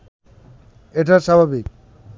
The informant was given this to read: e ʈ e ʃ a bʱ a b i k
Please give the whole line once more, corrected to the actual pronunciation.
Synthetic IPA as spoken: e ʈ a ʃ a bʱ a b i k